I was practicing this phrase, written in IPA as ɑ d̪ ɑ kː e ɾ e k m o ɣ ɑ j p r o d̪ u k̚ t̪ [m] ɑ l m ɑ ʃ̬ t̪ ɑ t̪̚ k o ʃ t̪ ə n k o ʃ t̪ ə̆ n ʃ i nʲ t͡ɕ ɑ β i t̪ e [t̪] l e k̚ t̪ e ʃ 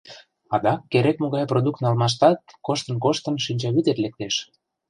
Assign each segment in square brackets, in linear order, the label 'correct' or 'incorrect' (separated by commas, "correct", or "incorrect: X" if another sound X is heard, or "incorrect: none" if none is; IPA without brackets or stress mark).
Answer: incorrect: n, correct